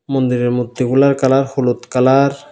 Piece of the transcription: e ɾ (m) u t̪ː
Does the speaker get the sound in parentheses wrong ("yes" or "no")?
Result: no